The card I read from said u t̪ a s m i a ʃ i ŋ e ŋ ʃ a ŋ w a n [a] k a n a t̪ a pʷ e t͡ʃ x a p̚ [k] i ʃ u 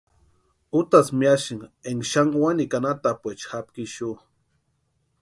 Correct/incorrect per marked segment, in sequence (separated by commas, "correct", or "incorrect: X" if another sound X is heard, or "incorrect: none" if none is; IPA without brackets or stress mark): incorrect: i, correct